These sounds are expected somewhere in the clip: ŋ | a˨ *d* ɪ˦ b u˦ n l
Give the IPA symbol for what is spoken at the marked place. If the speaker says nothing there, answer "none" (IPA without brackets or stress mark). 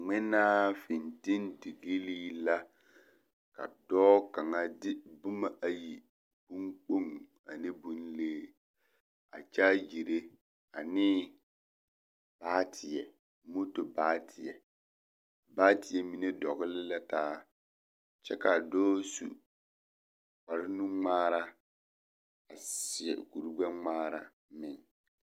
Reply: n